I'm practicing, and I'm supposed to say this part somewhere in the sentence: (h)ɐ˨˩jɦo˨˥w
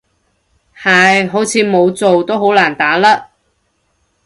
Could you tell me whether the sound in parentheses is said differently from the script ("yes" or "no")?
no